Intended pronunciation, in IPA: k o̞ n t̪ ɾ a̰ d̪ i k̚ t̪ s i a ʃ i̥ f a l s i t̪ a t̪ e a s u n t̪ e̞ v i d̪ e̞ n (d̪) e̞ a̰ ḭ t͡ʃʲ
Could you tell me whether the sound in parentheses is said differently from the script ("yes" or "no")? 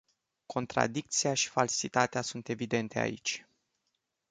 yes